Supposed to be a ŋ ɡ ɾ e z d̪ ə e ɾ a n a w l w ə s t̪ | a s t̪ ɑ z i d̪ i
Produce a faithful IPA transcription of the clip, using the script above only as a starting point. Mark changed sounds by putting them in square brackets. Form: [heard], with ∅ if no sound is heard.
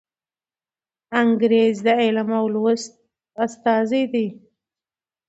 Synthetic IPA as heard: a ŋ ɡ ɾ e z d̪ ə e [l] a [m] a w l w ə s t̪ | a s t̪ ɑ z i d̪ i

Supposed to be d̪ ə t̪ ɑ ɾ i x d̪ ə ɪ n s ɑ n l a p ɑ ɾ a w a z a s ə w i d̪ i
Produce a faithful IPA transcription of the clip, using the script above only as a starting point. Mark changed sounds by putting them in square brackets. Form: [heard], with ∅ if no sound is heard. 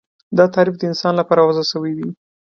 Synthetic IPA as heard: d̪ [ɑ] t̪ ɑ ɾ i [f] d̪ ə ɪ n s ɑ n l a p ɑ ɾ a w a z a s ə w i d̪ i

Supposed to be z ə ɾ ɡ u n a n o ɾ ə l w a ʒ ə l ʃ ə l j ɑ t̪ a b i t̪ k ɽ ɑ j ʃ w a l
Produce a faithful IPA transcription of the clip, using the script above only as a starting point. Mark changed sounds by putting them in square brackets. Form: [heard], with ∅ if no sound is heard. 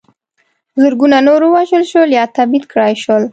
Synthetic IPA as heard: z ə ɾ ɡ u n a n o ɾ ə [∅] w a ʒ ə l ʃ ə l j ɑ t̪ a b i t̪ k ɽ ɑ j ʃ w [ə] l

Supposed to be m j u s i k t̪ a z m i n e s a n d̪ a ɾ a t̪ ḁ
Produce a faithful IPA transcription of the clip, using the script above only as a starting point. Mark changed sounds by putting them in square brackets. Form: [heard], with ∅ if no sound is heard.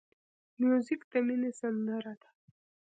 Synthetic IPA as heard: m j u [z] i k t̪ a [∅] m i n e s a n d̪ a ɾ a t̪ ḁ

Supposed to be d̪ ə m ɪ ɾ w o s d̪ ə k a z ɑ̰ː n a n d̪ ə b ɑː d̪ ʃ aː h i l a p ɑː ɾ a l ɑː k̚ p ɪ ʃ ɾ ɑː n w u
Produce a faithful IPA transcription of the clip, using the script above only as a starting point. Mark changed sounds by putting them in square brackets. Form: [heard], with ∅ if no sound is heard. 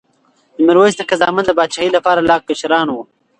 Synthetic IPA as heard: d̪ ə m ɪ ɾ w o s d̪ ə k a z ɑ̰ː [m] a n d̪ ə b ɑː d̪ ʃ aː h i l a p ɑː ɾ a l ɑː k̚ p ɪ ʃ ɾ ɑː n w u

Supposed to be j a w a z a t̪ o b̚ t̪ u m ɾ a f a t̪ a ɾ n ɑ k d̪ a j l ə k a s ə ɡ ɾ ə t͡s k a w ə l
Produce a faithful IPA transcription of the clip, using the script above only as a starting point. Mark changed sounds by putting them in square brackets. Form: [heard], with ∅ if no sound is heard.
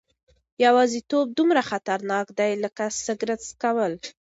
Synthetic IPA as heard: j a w [ɑ] z [i] t̪ o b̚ [d̪] u m ɾ a [x] a t̪ a ɾ n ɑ k d̪ a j l ə k a s ə ɡ ɾ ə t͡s k a w ə l

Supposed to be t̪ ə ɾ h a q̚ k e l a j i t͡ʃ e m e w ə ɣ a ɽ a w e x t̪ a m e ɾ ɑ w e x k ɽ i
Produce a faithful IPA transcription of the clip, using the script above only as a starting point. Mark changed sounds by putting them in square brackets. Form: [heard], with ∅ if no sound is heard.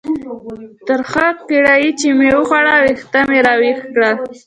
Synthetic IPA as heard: t̪ ə ɾ [x] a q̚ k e [ɽ] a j i t͡ʃ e m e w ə [x] a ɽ a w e x t̪ a m e ɾ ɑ w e x k ɽ [a]

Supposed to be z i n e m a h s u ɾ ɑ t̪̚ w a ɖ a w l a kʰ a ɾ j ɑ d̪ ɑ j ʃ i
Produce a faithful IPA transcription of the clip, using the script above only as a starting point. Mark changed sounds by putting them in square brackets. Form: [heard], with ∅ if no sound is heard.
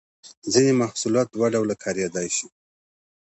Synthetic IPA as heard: z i n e m a h s u [l] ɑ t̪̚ w a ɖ a w l a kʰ [ɑ] ɾ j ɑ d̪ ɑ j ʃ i

